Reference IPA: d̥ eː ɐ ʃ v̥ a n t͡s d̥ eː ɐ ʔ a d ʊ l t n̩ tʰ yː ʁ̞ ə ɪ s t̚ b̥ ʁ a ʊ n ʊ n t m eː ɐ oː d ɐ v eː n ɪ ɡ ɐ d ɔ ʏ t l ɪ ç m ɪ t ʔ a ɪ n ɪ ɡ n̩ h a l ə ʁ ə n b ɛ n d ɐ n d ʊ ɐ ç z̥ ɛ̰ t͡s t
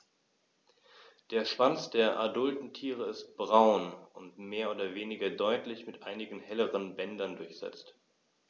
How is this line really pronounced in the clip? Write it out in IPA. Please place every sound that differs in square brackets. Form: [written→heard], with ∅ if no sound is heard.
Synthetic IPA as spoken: d̥ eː ɐ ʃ v̥ a n t͡s d̥ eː ɐ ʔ a d ʊ l t n̩ tʰ [yː→iː] ʁ̞ ə ɪ s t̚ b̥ ʁ a ʊ n ʊ n t m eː ɐ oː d ɐ v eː n ɪ ɡ ɐ d ɔ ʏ t l ɪ ç m ɪ t ʔ a ɪ n ɪ ɡ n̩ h [a→ɛ] l ə ʁ ə n b ɛ n d ɐ n d ʊ ɐ ç z̥ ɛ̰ t͡s t